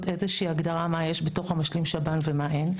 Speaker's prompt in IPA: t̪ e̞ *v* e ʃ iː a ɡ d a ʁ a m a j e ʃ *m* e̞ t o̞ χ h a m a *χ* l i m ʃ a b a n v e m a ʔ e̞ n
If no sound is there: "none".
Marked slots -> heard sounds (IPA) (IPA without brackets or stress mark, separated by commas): z, b, ʃ